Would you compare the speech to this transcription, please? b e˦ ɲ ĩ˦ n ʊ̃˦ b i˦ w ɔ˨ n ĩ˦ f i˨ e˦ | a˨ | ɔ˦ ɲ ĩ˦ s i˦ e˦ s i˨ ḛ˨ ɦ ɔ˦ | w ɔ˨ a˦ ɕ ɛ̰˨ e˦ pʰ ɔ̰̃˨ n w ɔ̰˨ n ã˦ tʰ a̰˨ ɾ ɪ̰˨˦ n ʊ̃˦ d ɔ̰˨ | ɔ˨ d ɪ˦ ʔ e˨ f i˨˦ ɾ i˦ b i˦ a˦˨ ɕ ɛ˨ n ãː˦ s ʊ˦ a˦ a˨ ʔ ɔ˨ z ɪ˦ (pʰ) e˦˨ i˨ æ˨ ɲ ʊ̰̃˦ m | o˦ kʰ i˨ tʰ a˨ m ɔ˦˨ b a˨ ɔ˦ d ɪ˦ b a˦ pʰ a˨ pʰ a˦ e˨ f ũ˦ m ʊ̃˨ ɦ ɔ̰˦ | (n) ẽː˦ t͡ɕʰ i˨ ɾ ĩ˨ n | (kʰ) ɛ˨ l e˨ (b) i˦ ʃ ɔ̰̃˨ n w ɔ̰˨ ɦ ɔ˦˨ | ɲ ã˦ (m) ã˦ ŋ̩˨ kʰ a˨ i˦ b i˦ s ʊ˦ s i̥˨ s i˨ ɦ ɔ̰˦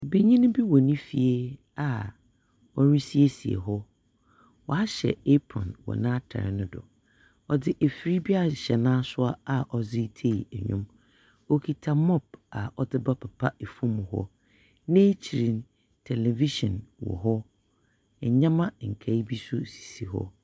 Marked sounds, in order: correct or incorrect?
incorrect, correct, incorrect, incorrect, correct

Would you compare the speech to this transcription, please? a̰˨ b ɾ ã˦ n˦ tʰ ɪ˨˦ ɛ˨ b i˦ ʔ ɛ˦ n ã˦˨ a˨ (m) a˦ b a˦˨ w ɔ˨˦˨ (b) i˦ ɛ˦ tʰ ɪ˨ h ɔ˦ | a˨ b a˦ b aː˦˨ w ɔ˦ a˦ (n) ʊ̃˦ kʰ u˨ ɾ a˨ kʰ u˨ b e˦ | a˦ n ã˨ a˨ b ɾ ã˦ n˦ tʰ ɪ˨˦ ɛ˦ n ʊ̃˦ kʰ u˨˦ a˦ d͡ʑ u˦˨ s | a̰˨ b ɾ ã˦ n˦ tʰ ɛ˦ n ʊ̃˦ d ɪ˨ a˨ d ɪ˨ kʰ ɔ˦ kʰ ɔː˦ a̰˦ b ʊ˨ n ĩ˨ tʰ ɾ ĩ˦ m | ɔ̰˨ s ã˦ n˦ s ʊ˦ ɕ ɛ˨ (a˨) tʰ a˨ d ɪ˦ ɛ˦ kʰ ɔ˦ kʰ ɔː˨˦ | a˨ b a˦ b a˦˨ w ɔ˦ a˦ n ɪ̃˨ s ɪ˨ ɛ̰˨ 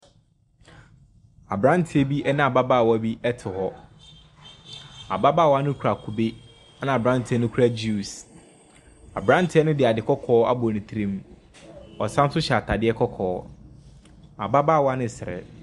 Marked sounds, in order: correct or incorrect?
incorrect, correct, correct, correct

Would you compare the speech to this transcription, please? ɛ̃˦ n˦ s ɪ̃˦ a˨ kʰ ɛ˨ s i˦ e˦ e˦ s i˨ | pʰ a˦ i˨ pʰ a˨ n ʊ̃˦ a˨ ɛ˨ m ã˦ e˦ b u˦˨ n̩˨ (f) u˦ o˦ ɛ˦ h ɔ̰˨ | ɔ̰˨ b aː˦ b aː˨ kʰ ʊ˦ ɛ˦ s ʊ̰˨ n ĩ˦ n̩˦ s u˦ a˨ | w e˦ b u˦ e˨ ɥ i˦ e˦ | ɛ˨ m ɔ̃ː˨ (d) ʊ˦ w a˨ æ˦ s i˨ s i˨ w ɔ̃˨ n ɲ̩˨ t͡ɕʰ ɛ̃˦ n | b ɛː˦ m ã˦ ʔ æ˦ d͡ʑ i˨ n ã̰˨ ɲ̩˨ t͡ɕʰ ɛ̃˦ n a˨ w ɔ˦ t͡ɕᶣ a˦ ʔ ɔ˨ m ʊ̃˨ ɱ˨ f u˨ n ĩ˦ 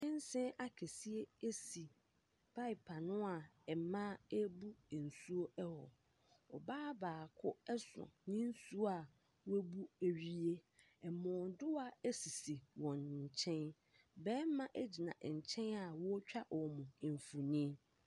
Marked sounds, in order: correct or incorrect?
incorrect, correct

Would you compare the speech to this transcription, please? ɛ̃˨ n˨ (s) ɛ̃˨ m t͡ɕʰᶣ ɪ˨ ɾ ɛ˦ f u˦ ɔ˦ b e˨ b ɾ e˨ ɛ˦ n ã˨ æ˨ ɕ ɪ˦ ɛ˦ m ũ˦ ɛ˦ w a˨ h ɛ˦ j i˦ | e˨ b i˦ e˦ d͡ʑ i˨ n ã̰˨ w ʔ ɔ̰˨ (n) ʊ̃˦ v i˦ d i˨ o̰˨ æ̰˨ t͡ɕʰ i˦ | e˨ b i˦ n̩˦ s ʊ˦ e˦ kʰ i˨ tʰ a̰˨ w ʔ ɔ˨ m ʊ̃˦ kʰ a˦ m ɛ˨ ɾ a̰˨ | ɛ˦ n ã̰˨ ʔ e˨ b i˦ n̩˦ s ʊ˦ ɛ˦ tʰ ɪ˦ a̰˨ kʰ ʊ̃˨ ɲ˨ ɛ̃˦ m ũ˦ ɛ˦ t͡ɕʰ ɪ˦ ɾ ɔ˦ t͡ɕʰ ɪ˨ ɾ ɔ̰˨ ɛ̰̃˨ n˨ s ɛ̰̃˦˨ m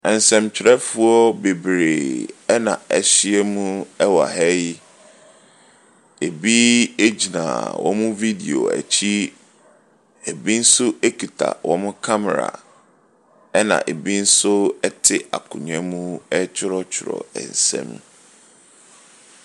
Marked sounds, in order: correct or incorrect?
correct, incorrect

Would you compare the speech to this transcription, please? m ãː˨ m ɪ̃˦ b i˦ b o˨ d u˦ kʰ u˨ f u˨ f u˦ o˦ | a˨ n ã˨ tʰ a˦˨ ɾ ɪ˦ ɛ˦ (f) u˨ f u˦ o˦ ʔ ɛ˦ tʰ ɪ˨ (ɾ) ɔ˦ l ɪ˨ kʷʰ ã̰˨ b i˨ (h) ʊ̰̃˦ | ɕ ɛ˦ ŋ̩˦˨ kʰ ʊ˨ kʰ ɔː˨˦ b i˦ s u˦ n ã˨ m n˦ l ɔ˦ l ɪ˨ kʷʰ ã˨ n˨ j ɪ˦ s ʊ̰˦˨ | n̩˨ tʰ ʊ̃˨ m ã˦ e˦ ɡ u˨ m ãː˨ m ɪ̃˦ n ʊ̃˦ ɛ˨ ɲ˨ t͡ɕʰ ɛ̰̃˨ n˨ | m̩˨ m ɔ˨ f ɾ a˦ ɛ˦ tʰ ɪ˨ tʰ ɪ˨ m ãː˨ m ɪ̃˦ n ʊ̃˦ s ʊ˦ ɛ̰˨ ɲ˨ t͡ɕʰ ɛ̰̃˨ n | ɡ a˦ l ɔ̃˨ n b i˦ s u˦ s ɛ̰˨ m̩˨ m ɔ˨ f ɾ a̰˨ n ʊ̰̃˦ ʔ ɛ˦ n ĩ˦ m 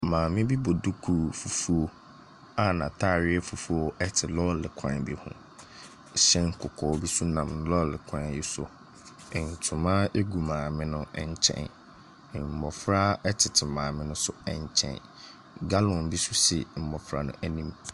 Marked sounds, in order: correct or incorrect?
correct, incorrect, correct

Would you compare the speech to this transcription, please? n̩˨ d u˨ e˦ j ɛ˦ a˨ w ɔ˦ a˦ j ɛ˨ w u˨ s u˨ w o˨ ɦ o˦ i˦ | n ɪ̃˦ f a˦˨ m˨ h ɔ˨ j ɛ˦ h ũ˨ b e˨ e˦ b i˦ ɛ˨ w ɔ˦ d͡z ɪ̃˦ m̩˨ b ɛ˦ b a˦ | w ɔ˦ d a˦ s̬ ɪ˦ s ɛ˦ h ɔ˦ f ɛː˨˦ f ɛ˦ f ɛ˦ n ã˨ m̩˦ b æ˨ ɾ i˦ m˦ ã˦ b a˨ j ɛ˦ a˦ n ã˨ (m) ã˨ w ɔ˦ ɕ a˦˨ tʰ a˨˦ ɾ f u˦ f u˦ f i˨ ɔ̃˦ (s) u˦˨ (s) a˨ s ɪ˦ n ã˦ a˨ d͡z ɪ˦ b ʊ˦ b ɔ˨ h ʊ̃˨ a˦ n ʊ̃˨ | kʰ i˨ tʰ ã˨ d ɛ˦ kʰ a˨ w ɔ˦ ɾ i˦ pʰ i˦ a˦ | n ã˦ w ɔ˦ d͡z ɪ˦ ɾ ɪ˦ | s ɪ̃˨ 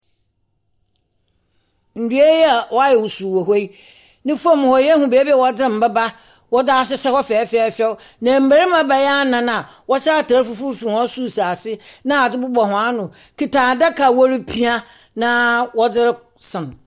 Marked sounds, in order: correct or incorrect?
incorrect, correct, correct

